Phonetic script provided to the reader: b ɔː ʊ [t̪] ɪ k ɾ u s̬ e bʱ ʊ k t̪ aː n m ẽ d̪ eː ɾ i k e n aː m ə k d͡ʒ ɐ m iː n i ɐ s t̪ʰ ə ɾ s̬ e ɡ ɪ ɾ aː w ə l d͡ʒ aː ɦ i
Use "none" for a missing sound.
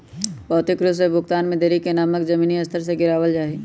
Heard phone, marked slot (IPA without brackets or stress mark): t̪